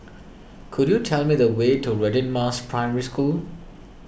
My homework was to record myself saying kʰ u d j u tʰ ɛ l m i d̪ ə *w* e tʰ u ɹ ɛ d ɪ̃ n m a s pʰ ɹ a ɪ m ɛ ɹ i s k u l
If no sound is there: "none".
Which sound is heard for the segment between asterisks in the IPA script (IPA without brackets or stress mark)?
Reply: w